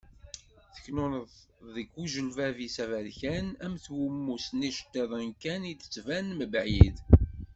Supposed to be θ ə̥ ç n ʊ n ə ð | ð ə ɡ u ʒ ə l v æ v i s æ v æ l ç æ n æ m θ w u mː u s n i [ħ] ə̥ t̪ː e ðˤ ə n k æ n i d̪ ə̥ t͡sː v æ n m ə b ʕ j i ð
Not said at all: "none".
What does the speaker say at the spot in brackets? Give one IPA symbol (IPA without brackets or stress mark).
ʃ